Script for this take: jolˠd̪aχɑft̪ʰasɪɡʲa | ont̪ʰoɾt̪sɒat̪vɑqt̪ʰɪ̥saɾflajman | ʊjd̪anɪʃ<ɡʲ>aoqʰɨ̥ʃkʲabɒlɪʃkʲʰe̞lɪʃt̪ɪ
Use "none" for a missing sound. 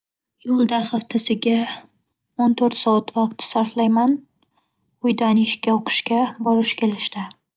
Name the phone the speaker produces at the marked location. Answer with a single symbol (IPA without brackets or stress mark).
kʲ